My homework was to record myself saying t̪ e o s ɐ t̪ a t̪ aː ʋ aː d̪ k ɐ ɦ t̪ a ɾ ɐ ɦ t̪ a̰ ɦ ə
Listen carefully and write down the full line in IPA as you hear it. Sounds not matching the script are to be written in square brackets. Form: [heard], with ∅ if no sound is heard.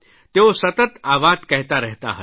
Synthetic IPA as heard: t̪ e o s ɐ t̪ [ə] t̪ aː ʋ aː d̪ k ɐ ɦ t̪ a ɾ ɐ ɦ t̪ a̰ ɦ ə